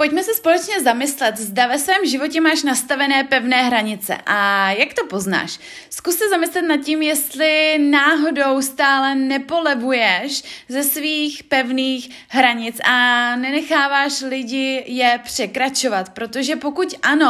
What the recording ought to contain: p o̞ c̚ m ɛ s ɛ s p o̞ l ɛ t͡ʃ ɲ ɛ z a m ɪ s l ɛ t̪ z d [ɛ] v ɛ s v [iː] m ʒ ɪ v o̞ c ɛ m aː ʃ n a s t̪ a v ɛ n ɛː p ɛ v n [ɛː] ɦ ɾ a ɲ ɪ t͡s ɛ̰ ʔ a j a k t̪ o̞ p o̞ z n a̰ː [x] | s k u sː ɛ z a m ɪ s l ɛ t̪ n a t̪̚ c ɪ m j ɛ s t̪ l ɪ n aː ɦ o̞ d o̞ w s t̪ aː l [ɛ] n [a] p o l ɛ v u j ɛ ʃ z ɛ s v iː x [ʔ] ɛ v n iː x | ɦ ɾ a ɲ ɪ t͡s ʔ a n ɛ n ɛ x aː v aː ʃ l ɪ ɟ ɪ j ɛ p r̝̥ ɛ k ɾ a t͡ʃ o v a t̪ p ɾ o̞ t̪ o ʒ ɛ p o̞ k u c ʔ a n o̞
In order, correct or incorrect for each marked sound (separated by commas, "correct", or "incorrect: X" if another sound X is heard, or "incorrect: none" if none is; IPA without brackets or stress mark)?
incorrect: a, incorrect: ɛː, correct, incorrect: ʃ, correct, incorrect: ɛ, incorrect: p